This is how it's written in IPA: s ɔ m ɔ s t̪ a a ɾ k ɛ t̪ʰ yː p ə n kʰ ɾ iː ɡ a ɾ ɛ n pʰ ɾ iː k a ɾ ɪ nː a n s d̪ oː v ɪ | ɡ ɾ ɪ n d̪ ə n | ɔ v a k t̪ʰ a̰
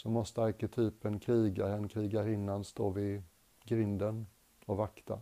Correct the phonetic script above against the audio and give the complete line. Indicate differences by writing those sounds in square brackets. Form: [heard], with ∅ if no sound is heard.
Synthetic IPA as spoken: s ɔ m ɔ s t̪ [ə] a ɾ k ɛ t̪ʰ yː p ə n kʰ ɾ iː ɡ a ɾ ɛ n [kʰ] ɾ iː [ɡ] a ɾ ɪ nː a n s [t̪] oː v ɪ | ɡ ɾ ɪ n d̪ ə n | ɔ v a k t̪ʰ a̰